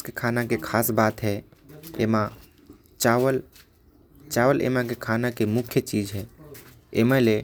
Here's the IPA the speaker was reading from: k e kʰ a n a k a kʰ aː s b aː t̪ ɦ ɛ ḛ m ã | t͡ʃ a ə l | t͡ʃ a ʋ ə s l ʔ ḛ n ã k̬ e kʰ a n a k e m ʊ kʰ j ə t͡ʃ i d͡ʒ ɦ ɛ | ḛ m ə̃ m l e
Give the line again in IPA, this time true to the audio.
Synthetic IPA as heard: k e kʰ a n a k e kʰ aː s b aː t̪ ɦ ɛ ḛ m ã | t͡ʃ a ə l | t͡ʃ a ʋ ə l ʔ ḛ m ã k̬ e kʰ a n a k e m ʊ kʰ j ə t͡ʃ i d͡ʒ ɦ ɛ | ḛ m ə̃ l e